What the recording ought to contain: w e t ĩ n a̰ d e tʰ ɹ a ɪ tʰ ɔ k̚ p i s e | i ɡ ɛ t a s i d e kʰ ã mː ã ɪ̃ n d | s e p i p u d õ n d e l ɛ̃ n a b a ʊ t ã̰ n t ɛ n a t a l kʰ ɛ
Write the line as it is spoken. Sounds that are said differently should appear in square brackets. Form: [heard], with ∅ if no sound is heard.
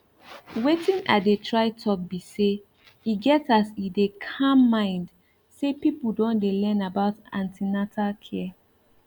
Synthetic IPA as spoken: w e t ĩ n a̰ d e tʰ ɹ a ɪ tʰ ɔ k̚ [b] i s e | i ɡ ɛ t a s i d e kʰ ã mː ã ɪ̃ n d | s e p i p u d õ n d e l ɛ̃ n a b a ʊ t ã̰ n t [i] n a t a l kʰ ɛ

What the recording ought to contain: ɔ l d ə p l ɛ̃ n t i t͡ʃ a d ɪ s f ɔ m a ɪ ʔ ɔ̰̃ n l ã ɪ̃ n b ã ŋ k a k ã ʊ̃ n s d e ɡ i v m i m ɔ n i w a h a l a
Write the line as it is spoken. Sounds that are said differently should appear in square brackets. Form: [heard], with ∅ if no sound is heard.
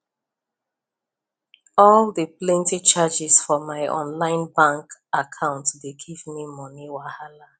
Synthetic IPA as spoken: ɔ l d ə p l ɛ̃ n t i t͡ʃ a [d͡ʒ] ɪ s f ɔ m a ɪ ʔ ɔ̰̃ n l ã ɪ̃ n b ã ŋ k a [kʰ] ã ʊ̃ n [t] d e ɡ i v m i m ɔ n i w a h a l a

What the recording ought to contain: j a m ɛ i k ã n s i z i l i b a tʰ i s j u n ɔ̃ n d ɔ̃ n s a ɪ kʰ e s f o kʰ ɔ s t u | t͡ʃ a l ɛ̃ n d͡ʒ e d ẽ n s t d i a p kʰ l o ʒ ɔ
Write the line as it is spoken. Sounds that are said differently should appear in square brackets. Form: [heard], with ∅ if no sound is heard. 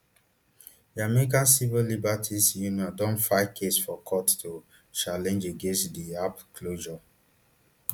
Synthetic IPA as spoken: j a m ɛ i k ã n s i [v] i l i b a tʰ i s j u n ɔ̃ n d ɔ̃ n [f] a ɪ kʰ e s f [ɔ] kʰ ɔ [t] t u | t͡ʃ a l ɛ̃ n d͡ʒ e [ɡ] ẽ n s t d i a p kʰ l o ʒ ɔ

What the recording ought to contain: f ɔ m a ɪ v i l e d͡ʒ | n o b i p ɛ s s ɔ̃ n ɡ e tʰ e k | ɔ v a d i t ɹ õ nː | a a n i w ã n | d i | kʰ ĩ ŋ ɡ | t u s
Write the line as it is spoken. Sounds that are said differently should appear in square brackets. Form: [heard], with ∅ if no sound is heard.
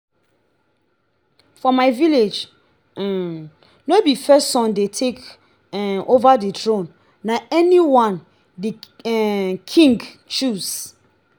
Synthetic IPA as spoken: f ɔ m a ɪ v i l e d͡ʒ | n o b i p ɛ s s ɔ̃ n [d] e tʰ e k | [o] v a d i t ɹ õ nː | a [ɛ] n i w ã n | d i | kʰ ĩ ŋ ɡ | [t͡ʃ] u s

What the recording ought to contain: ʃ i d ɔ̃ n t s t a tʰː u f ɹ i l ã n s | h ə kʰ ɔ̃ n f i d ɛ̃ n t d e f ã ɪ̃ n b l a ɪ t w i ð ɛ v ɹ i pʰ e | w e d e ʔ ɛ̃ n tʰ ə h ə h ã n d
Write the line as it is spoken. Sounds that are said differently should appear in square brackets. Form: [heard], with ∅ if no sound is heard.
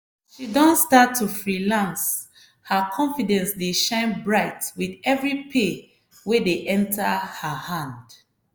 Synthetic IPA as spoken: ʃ i d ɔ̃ n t s t a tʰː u f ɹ i l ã n s | h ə kʰ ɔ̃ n f i d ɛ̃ n [s] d e [ʃ] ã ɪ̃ n b [ɹ] a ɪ t w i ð ɛ v ɹ i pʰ e | w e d e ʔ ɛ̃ n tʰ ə h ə h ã n d

